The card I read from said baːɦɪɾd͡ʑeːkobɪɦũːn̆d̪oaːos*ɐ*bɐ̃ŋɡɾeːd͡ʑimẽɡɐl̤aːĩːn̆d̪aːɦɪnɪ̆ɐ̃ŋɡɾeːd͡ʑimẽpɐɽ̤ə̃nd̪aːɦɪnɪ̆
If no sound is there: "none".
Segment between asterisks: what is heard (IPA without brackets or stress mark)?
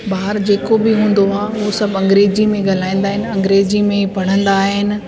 ɐ